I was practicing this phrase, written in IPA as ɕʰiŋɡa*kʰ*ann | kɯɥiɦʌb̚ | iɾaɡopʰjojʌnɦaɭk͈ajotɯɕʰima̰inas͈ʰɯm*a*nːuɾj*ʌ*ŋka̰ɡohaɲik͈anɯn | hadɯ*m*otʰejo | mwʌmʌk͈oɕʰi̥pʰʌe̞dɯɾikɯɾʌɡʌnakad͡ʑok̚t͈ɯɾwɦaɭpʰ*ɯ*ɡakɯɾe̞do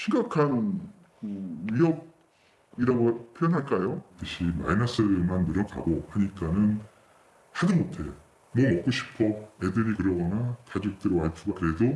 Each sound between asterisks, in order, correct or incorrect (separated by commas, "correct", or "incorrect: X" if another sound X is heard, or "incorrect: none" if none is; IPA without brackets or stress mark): correct, correct, correct, correct, incorrect: u